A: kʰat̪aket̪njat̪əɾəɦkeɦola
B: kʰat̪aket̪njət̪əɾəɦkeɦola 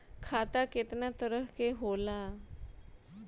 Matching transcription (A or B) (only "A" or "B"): A